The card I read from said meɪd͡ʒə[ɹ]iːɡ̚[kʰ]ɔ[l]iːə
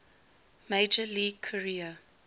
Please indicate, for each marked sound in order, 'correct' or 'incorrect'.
incorrect, correct, incorrect

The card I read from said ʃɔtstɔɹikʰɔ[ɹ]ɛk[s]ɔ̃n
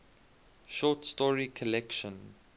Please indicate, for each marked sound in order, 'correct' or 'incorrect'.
incorrect, incorrect

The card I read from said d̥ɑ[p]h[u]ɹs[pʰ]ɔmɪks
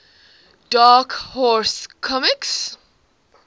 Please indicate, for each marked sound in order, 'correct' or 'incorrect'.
incorrect, incorrect, incorrect

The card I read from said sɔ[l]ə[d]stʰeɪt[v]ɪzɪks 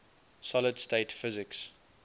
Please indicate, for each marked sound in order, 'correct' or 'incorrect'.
correct, correct, incorrect

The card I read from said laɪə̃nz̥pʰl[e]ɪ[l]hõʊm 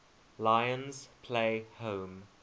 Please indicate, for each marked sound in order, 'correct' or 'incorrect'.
correct, incorrect

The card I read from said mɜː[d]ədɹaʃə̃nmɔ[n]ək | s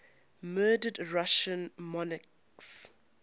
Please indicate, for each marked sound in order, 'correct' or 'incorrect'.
correct, correct

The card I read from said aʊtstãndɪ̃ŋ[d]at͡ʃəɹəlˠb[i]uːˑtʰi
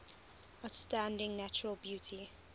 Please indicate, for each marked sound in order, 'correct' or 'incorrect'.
incorrect, incorrect

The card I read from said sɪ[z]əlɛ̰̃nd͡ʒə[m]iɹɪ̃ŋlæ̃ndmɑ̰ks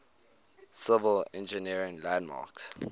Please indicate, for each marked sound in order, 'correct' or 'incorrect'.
incorrect, incorrect

